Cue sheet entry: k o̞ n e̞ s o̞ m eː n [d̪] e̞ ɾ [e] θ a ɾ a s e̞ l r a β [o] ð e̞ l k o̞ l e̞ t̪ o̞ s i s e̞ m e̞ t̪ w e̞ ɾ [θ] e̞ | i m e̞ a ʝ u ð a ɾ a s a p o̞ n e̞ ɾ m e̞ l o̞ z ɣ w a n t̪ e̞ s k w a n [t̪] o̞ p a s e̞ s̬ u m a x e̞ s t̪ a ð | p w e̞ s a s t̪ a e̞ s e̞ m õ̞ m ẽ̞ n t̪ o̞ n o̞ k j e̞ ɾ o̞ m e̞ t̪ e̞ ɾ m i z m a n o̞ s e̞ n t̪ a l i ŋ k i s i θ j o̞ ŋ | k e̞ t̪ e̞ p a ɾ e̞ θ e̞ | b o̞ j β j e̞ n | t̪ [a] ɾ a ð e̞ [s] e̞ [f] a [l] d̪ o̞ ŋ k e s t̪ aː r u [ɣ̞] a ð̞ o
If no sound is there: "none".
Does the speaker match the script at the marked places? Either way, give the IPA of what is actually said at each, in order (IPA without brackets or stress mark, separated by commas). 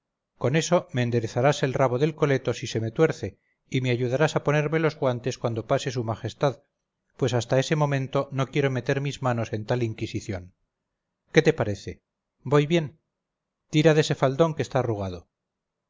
d̪, e, o, θ, d̪, i, s, f, l, ɣ̞